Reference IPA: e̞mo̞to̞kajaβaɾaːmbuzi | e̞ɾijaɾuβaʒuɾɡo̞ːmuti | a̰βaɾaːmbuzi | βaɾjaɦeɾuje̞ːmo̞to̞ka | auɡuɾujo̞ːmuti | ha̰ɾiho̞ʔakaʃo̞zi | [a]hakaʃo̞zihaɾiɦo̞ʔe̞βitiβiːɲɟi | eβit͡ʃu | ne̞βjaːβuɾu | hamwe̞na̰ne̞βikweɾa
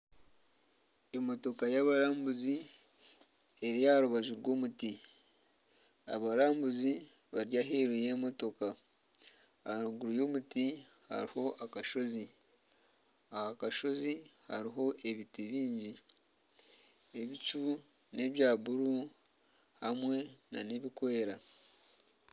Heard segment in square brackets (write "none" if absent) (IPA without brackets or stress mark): a